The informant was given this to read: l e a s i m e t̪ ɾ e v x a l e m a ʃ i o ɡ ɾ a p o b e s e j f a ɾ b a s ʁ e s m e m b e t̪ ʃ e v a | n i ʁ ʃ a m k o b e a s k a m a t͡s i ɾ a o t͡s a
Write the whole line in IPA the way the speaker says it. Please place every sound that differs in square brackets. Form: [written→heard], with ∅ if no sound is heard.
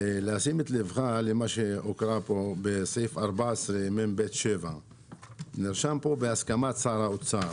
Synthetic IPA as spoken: l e a s i m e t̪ [ɾ→l] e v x a l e m a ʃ [i→e] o [ɡ→k] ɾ a p o b e s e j f a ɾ b a s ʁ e [s→∅] m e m b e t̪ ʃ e v a | n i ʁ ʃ a m [k→p] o b e a s k a m a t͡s [i→a] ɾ a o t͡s a